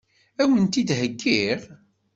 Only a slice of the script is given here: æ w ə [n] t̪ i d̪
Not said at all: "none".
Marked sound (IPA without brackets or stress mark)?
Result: n